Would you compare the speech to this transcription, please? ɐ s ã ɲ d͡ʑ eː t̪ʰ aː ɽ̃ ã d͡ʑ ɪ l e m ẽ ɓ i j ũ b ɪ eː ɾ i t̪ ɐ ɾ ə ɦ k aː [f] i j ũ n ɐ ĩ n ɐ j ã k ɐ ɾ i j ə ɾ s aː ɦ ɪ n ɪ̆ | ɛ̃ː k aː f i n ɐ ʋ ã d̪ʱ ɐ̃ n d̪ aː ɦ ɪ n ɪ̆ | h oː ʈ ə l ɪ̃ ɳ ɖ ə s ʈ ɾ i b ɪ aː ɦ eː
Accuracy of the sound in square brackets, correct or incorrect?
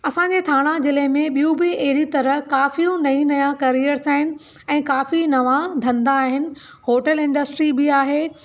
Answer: correct